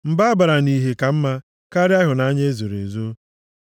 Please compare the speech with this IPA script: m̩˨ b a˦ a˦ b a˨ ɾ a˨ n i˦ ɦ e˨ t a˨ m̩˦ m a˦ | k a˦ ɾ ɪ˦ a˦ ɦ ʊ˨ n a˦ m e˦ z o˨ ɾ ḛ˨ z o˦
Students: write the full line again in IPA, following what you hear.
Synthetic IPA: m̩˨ b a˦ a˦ b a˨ ɾ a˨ n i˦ ɦ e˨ k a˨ m̩˦ m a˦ | k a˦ ɾ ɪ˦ a˦ ɦ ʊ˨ n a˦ ɲ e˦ z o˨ ɾ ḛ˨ z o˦